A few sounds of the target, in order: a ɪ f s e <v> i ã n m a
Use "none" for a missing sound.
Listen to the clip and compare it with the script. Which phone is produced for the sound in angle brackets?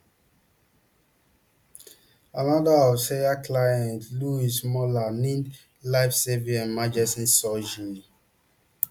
v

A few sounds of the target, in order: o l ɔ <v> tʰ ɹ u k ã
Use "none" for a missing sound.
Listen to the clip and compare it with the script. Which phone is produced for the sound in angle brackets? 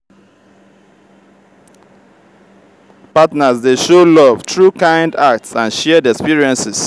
v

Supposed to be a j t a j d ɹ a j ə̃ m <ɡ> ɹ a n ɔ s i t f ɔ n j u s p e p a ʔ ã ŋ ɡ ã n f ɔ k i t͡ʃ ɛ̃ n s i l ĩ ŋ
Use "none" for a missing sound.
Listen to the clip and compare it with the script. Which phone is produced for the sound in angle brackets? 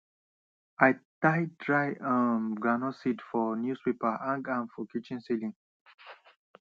ɡ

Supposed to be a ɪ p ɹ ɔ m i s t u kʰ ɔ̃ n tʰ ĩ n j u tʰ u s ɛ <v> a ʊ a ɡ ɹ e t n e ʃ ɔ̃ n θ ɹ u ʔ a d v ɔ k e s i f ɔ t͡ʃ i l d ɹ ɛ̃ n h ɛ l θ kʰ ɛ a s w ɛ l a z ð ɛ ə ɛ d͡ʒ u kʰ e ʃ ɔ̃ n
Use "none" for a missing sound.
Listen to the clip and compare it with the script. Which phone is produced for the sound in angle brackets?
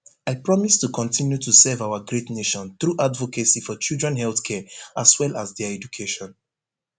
v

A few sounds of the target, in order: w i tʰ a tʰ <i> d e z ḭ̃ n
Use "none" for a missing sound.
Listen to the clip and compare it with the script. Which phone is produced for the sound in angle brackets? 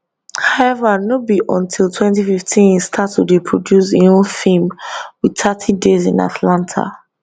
i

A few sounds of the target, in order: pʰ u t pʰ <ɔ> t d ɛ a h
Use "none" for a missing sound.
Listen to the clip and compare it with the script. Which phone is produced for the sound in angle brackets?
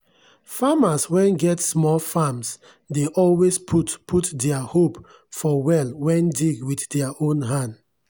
u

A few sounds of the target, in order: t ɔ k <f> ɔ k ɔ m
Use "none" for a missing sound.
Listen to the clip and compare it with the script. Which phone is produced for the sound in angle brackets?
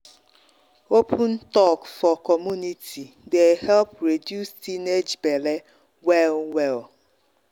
f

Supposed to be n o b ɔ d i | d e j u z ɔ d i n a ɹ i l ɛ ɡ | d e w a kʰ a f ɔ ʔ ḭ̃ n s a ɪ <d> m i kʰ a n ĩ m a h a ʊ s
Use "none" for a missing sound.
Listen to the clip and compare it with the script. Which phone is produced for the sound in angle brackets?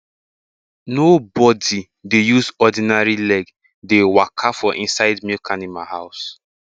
d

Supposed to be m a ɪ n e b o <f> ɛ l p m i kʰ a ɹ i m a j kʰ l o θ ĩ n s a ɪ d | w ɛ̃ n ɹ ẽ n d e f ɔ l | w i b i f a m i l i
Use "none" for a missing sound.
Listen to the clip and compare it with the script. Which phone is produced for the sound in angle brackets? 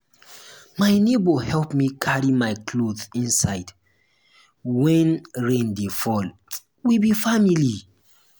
h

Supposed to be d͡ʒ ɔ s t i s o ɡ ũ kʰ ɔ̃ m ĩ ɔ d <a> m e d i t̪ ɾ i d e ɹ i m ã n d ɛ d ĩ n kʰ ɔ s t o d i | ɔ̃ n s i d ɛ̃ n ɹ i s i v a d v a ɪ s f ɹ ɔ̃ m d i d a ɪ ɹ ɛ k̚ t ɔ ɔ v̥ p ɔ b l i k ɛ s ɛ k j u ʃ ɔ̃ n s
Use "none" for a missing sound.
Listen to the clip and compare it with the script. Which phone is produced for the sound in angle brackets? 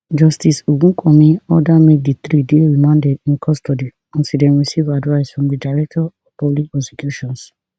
a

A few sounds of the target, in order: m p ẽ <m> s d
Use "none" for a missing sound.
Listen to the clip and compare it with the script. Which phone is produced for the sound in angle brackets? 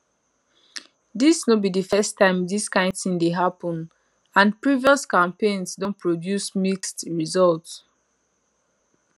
n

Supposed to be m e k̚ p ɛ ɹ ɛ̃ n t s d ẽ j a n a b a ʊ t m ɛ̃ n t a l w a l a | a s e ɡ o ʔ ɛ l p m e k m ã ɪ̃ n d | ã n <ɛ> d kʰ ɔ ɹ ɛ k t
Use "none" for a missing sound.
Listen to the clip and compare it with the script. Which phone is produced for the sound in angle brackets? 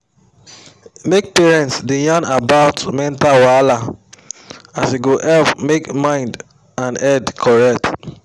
ɛ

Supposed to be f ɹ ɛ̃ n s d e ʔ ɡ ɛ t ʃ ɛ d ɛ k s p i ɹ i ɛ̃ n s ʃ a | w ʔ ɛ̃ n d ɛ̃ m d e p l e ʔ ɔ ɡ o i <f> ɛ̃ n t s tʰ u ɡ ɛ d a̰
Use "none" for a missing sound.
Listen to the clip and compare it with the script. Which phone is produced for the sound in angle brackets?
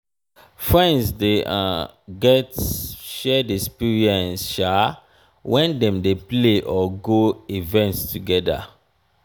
v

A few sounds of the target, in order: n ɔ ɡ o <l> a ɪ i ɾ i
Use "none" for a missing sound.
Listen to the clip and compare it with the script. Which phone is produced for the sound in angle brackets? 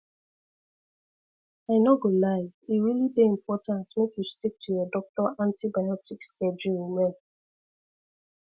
l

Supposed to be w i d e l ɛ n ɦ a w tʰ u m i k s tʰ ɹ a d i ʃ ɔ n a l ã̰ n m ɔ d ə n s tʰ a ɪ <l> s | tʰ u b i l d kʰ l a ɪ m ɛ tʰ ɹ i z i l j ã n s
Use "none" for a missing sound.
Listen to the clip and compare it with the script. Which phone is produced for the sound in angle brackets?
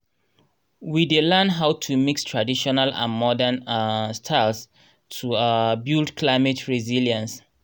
l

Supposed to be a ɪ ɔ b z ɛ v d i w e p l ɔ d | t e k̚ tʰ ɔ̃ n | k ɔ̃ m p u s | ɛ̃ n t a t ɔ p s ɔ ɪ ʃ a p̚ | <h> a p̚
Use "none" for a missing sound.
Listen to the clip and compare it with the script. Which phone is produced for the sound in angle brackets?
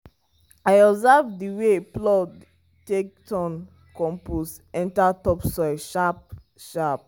ʃ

